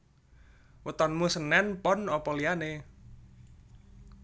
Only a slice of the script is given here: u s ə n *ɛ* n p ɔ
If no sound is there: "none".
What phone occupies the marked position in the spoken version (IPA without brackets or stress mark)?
ɛ